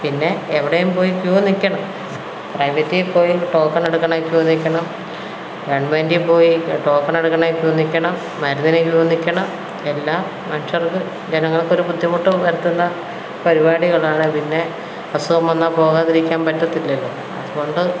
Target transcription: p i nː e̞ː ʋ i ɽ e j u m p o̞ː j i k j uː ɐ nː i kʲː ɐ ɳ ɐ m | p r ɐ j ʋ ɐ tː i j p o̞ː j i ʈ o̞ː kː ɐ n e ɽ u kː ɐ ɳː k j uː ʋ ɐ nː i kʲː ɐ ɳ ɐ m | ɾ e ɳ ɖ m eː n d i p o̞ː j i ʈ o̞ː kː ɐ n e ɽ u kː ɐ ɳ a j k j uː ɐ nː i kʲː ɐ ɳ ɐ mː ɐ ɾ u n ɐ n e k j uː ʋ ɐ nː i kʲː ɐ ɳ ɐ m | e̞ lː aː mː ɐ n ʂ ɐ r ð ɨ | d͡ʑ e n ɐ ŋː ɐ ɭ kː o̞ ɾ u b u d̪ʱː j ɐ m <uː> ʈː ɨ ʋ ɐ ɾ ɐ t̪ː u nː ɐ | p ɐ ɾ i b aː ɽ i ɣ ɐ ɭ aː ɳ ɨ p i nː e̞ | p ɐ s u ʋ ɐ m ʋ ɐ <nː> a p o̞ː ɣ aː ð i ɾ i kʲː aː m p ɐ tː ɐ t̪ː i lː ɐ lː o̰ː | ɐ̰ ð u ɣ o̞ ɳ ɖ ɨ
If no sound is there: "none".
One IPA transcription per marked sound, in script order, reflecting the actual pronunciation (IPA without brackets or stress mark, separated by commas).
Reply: u, nː